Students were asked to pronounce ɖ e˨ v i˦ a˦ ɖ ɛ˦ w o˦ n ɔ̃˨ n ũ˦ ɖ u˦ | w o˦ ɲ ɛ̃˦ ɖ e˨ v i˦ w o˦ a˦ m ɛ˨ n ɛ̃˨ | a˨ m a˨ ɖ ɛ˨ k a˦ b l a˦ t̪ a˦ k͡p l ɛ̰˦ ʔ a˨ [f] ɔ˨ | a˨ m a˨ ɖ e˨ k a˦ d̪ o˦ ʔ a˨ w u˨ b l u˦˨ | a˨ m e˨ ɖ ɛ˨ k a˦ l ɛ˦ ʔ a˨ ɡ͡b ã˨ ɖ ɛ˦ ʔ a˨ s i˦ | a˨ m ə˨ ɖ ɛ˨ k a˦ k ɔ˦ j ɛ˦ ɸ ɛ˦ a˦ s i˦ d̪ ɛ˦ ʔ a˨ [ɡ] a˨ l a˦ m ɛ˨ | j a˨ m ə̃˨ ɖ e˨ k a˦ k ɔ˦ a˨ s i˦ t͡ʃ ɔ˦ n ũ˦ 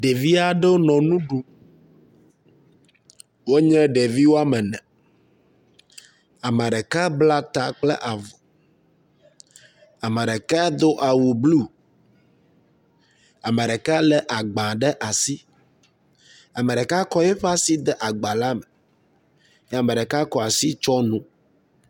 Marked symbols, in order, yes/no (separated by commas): no, no